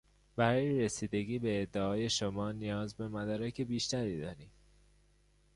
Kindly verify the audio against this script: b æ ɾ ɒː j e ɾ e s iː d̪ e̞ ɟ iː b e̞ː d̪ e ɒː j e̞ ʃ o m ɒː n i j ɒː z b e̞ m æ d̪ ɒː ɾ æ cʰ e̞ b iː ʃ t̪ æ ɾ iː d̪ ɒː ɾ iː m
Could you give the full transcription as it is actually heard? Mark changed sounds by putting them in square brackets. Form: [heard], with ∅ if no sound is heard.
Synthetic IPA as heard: b æ ɾ ɒː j e ɾ e s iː d̪ e̞ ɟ iː b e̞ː [d̪ː] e ɒː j e̞ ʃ o m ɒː n i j ɒː z b e̞ m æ d̪ ɒː ɾ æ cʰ e̞ b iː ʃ t̪ æ ɾ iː d̪ ɒː ɾ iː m